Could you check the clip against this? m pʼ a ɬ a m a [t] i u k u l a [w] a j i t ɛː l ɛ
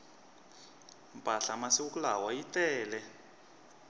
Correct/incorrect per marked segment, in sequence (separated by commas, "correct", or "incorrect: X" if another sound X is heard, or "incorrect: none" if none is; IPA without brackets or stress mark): incorrect: s, correct